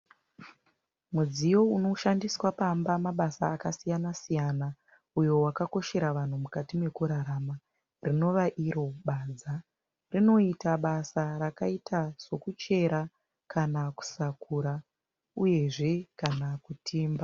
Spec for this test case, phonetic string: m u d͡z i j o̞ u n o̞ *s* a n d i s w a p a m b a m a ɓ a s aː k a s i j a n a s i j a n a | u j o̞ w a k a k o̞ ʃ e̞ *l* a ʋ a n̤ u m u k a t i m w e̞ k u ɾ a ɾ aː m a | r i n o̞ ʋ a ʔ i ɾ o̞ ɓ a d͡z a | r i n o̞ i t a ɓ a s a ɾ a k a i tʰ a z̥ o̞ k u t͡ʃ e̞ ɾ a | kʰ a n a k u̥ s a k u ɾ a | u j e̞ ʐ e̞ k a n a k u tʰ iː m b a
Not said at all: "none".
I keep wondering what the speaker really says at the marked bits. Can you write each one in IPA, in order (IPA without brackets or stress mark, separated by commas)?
ʃ, ɾ